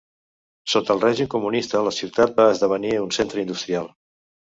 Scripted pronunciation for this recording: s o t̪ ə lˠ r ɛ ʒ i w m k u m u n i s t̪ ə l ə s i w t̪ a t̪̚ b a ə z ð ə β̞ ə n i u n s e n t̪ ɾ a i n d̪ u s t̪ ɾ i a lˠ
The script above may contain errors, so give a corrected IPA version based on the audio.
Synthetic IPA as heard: s o t̪ ə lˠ r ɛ ʒ i m k u m u n i s t̪ ə l ə s i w t̪ a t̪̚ b a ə z ð ə β̞ ə n i u n s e n t̪ ɾ ə i n d̪ u s t̪ ɾ i a lˠ